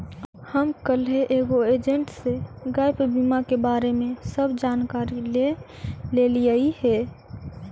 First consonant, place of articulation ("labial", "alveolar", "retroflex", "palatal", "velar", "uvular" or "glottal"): glottal